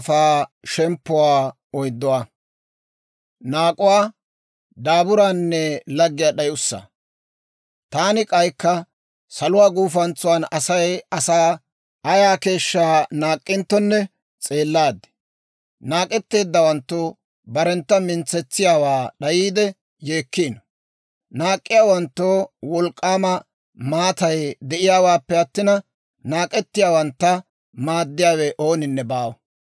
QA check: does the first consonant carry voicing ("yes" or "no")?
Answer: no